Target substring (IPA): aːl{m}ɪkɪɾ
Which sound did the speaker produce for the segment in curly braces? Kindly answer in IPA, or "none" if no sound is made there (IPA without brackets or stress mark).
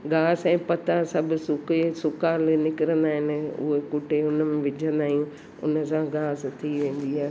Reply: n